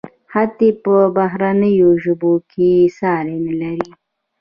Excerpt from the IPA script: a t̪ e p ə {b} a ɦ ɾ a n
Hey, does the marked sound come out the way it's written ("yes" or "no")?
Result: yes